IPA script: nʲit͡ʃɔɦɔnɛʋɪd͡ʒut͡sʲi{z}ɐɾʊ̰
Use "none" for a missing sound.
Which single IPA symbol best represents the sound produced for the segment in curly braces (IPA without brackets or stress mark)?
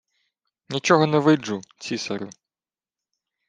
s